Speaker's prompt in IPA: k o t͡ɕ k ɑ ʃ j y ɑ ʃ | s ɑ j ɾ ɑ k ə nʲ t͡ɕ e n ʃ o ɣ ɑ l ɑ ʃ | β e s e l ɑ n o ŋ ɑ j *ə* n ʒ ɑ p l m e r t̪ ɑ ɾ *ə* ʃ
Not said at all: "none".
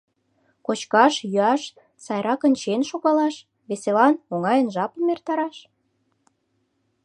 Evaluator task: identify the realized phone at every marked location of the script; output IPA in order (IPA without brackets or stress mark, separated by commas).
ə, ɑ